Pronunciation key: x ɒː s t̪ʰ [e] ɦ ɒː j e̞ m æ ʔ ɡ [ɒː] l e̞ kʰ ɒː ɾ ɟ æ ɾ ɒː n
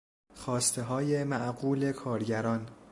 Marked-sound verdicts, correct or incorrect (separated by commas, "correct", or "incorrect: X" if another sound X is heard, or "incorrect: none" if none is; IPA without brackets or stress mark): correct, incorrect: uː